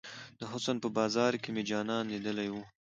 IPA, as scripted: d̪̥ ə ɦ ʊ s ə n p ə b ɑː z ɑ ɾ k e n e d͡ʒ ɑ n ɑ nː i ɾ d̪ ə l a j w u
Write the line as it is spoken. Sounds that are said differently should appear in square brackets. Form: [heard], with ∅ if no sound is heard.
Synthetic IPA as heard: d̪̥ ə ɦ ʊ s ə n p ə b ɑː z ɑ ɾ k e [m] e d͡ʒ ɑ n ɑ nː i [∅] d̪ ə l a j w u